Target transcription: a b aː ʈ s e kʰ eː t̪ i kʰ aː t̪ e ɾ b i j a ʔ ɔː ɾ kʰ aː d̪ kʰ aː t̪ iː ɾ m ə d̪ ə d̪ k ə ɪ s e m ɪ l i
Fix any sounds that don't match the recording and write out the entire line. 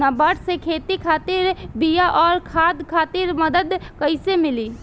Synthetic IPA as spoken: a b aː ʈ s e kʰ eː t̪ i kʰ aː t̪ i ɾ b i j a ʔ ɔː ɾ kʰ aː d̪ kʰ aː t̪ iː ɾ m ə d̪ ə d̪ k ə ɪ s e m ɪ l i